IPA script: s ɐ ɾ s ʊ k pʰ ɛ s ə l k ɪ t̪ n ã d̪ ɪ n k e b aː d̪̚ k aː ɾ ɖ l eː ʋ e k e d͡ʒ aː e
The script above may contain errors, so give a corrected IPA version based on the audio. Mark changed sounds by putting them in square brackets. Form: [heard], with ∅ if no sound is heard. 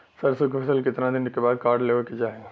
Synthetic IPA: s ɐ ɾ s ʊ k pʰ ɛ s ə l k ɪ t̪ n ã d̪ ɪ n k e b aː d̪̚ k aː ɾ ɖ l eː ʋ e k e d͡ʒ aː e